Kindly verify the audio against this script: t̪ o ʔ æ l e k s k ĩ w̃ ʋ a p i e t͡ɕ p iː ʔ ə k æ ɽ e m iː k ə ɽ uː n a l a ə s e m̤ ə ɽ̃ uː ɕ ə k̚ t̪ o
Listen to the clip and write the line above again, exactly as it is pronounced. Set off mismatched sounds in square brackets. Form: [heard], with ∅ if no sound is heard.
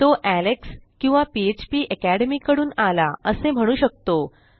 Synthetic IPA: t̪ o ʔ æ l e k s k ĩ w̃ ʋ a p i e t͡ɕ p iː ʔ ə k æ ɽ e m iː k ə ɽ uː n a l a ə s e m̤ ə ɽ̃ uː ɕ ə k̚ t̪ o